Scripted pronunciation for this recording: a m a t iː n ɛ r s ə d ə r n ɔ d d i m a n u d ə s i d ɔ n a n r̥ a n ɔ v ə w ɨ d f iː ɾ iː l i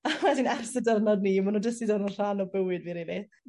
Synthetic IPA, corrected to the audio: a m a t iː n ɛ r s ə d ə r n ɔ d n i m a n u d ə s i d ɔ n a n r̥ a n ɔ b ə w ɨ d v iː ɾ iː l i